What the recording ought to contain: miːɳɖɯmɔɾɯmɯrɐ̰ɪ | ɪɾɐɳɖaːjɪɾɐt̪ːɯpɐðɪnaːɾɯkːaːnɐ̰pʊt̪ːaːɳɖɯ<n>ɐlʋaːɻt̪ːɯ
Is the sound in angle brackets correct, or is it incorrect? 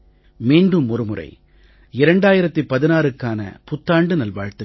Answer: correct